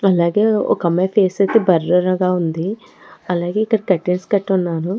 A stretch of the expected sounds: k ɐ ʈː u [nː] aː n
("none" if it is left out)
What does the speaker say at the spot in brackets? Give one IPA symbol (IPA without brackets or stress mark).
nː